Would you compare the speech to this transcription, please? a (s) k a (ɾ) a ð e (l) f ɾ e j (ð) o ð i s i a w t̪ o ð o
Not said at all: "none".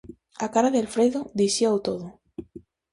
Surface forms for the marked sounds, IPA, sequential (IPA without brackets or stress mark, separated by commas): none, ɾ, l, ð